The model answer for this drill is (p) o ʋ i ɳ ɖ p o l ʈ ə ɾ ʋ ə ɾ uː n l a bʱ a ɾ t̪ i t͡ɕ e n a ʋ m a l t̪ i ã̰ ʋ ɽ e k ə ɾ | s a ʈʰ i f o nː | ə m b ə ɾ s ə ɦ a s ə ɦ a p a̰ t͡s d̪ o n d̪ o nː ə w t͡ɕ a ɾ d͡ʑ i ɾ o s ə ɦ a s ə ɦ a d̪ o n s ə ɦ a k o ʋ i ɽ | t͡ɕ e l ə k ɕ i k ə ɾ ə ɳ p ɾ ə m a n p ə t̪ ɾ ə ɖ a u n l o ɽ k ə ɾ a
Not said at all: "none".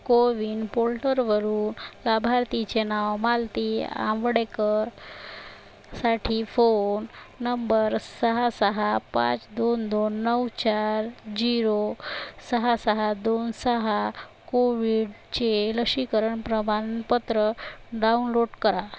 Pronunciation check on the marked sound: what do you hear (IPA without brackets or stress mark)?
k